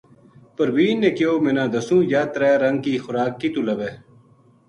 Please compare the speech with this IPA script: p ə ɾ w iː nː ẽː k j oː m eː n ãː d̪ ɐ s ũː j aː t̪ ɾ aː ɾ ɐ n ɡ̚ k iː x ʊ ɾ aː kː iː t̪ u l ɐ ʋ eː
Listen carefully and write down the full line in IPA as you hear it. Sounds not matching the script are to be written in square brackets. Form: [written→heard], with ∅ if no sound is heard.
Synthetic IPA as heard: p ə ɾ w iː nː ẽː k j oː m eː n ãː d̪ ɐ s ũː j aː t̪ ɾ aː ɾ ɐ [n→ŋ] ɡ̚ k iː x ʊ ɾ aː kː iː t̪ u l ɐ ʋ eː